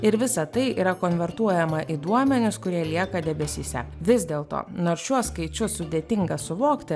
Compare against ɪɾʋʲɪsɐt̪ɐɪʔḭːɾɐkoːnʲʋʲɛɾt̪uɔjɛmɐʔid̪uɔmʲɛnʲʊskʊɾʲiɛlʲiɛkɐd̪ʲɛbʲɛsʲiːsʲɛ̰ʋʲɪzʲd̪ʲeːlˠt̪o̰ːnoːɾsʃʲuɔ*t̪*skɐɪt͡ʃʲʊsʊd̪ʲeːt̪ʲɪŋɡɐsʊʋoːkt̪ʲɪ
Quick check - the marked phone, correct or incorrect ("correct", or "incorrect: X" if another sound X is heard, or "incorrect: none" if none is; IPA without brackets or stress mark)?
incorrect: none